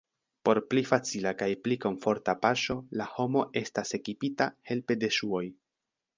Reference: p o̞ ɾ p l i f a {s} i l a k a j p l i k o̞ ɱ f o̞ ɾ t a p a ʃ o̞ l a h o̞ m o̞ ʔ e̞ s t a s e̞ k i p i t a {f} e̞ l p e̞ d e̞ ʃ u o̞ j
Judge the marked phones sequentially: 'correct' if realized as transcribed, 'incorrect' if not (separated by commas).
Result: incorrect, incorrect